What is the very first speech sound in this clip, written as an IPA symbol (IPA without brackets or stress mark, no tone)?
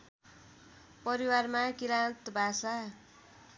p